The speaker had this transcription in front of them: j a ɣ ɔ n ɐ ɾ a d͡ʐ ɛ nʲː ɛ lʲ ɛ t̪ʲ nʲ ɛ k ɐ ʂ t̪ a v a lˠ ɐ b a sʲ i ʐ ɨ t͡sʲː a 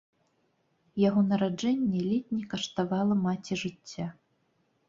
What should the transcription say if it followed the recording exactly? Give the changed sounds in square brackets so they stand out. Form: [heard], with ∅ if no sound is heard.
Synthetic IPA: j a ɣ ɔ n ɐ ɾ a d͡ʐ ɛ nʲː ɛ lʲ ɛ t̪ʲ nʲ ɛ k ɐ ʂ t̪ a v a lˠ ɐ [m] a [t͡sʲ] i ʐ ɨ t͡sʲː a